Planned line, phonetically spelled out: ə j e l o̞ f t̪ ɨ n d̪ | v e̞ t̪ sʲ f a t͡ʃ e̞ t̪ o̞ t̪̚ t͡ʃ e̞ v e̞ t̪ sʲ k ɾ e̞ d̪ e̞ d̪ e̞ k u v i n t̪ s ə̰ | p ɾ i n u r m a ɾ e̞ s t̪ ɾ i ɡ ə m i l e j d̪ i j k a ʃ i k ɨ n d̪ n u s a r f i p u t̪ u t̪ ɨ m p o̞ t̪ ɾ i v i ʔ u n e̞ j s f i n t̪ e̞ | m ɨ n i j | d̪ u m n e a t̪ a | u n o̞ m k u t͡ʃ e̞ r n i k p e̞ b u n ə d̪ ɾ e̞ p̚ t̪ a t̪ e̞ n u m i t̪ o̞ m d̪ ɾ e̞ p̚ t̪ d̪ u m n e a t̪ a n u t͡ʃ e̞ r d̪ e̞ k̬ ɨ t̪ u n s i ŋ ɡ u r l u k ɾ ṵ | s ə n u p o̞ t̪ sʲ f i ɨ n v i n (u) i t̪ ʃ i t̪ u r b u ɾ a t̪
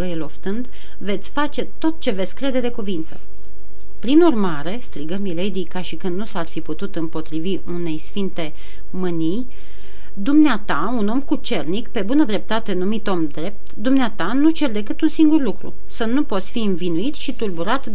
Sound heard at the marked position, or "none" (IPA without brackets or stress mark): u